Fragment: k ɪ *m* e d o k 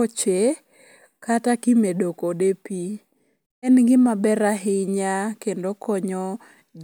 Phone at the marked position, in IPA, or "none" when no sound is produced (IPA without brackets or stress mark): m